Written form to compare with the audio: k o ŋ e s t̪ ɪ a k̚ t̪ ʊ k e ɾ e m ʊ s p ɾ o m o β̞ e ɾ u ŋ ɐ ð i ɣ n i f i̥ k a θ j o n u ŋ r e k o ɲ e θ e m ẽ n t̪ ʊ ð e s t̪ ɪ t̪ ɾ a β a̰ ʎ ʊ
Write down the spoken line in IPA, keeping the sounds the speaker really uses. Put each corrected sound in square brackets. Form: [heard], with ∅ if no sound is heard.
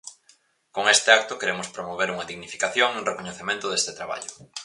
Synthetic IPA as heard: k o ŋ e s t̪ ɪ a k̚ t̪ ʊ k e ɾ e m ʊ s p ɾ o m o β̞ e ɾ u ŋ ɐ ð i ɣ n i f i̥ k a θ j o [ŋ] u ŋ r e k o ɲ e θ e m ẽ n t̪ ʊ ð e s t̪ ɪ t̪ ɾ a β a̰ ʎ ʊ